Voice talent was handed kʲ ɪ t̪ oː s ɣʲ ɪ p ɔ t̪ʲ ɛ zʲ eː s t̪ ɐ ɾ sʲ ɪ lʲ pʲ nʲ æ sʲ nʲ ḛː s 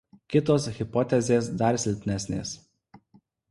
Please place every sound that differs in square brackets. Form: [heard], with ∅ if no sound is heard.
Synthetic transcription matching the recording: kʲ ɪ t̪ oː s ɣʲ ɪ p ɔ t̪ʲ ɛ zʲ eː s [d̪] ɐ ɾ sʲ ɪ lʲ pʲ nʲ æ sʲ nʲ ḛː s